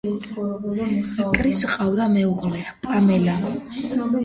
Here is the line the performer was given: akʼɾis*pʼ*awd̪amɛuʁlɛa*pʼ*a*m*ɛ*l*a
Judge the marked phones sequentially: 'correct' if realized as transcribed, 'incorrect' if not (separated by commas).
incorrect, correct, correct, correct